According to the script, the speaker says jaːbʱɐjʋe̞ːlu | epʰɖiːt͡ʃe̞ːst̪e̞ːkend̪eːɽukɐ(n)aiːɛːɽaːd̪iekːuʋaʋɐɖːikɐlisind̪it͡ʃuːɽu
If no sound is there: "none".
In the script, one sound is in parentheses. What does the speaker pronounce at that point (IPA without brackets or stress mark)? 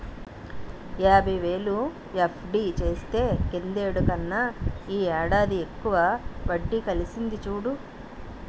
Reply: nː